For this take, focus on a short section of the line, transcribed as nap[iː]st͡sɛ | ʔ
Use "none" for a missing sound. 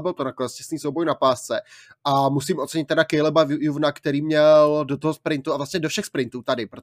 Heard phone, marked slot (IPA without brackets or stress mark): aː